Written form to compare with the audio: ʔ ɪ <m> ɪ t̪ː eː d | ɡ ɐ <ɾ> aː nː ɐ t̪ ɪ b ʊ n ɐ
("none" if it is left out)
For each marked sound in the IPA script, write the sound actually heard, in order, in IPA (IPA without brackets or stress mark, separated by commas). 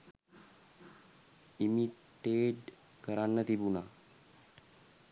m, ɾ